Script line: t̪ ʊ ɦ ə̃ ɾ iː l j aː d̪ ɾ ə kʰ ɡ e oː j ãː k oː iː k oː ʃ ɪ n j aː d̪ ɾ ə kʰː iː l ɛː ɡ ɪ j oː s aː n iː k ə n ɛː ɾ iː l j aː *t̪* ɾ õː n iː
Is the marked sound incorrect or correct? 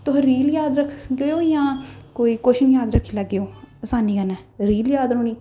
incorrect